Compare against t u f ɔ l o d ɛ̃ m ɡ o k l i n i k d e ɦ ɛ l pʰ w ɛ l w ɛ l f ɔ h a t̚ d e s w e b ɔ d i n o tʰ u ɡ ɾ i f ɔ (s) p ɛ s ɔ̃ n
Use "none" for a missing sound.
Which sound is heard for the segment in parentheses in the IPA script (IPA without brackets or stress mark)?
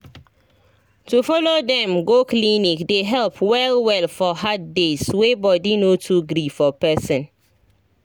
none